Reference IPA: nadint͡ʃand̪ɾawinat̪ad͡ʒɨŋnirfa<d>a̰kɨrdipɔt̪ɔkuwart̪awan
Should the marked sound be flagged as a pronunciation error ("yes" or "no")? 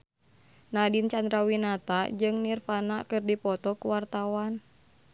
yes